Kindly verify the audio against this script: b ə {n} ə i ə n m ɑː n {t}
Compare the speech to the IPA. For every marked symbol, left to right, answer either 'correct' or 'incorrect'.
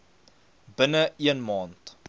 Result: correct, correct

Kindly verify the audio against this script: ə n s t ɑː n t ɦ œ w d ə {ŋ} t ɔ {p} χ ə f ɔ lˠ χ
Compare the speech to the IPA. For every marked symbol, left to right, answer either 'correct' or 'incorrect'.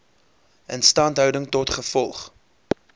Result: correct, incorrect: t

